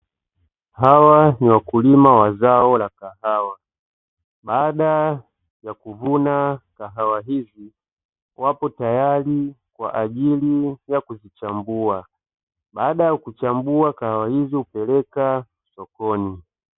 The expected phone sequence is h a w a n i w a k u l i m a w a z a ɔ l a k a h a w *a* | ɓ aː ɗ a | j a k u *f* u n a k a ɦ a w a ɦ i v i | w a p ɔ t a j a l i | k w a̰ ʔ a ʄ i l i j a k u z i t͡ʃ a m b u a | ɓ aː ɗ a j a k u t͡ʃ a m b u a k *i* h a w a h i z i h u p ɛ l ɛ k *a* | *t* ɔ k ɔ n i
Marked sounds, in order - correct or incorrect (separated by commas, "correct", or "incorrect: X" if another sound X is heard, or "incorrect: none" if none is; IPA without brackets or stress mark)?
correct, incorrect: v, incorrect: a, correct, incorrect: s